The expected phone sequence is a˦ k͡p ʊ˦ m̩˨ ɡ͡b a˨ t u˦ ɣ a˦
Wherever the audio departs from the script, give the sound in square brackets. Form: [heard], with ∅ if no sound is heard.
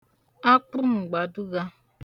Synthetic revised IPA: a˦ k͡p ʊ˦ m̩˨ ɡ͡b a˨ [d] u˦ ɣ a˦